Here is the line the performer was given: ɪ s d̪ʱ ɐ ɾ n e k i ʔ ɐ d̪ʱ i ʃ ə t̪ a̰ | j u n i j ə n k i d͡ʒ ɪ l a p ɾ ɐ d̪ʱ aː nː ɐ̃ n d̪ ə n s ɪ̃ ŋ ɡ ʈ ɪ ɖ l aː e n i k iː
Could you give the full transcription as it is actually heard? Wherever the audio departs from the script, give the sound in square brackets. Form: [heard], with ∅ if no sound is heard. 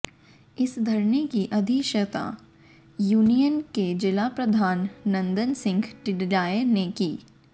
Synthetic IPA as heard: ɪ s d̪ʱ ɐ ɾ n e k i ʔ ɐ d̪ʱ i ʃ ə t̪ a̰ | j [uː] n i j ə n k [e] d͡ʒ ɪ l a p ɾ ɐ d̪ʱ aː nː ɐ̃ n d̪ ə n s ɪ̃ ŋ ɡ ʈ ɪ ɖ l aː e n [e] k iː